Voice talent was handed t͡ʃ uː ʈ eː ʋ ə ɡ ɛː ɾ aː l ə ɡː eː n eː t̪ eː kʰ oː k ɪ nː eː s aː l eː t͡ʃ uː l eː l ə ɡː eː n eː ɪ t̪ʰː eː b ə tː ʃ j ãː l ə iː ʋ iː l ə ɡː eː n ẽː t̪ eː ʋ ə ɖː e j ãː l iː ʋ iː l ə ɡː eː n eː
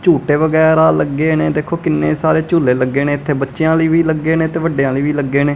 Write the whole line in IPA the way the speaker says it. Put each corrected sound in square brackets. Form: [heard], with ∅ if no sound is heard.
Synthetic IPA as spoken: t͡ʃ uː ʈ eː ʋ ə ɡ ɛː ɾ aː l ə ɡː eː n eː [d̪] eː kʰ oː k ɪ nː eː s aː [ɾ] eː t͡ʃ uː l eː l ə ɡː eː n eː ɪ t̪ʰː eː b ə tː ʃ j ãː l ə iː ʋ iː l ə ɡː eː n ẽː t̪ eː ʋ ə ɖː e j ãː l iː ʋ iː l ə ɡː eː n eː